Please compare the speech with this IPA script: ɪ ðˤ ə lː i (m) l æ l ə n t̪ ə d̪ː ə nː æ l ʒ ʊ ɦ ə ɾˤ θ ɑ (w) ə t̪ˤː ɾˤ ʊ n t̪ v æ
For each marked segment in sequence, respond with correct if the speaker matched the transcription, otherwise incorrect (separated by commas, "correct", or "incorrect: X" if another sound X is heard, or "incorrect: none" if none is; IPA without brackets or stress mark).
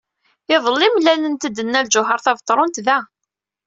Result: correct, incorrect: v